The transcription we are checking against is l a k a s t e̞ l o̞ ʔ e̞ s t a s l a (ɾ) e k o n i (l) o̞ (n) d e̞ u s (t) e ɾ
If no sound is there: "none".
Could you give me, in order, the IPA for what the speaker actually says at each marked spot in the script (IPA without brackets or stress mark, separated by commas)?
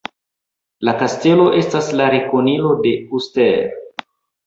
ɾ, l, none, t